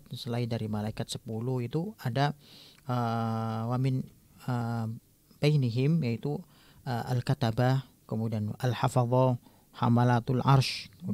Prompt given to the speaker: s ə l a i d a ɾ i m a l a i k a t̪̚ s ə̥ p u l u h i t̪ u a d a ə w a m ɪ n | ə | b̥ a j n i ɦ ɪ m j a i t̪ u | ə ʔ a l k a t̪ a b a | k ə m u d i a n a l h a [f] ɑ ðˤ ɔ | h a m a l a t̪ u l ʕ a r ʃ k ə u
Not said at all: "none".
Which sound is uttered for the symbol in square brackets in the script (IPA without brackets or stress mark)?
f